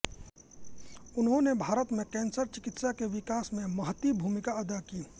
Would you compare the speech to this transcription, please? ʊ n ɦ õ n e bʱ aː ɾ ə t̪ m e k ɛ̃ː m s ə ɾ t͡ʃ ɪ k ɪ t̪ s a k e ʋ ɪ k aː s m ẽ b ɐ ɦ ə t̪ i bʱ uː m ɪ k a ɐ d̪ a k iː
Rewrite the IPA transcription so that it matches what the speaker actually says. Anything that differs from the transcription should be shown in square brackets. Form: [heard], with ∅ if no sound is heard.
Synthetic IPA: ʊ n ɦ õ n e bʱ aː ɾ ə t̪ m [ẽ] k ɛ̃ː [n] s ə ɾ t͡ʃ ɪ k ɪ t̪ s a k e ʋ ɪ k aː s m ẽ [m] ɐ ɦ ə t̪ i bʱ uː m ɪ k a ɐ d̪ a k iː